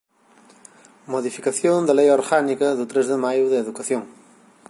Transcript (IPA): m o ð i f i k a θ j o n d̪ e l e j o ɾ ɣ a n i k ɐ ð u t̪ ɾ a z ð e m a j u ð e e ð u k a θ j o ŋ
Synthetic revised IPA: m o ð i f i k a θ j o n d̪ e l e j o ɾ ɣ a n i k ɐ ð u t̪ ɾ e z ð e m a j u ð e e ð u k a θ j o ŋ